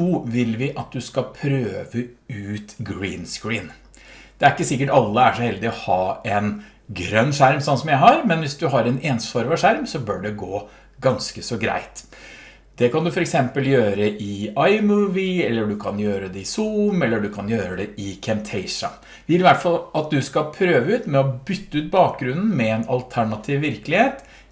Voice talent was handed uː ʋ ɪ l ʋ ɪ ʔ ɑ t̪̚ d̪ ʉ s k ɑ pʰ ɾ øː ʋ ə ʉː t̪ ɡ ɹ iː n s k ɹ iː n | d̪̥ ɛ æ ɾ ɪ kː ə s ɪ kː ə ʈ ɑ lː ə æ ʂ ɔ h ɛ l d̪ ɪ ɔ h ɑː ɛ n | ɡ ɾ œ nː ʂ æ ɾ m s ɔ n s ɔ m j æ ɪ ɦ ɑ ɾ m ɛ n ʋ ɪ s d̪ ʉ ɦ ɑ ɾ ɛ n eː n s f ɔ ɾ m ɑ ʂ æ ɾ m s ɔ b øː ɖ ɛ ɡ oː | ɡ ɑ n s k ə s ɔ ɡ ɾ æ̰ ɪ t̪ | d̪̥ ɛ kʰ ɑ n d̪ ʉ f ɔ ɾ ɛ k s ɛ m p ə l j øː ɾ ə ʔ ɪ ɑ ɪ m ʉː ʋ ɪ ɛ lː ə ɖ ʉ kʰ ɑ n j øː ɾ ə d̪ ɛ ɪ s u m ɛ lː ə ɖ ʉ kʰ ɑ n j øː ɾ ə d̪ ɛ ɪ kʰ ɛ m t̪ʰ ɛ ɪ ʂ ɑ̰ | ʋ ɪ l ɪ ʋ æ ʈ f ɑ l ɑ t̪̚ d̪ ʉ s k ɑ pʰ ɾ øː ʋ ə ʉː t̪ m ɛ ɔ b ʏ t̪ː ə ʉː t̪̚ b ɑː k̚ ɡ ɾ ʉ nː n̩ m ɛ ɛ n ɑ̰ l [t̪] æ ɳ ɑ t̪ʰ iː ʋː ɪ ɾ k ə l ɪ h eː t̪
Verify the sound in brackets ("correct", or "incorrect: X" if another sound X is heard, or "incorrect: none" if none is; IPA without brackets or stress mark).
incorrect: t̪ʰ